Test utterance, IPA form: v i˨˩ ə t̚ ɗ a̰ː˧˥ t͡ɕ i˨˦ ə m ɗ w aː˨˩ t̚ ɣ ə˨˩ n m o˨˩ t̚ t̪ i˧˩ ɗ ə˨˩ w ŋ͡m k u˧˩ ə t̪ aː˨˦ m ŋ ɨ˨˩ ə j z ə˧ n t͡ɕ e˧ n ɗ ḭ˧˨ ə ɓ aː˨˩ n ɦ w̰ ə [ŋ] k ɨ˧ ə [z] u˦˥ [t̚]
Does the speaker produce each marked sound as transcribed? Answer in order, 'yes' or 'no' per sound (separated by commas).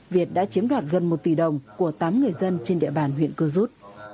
no, yes, yes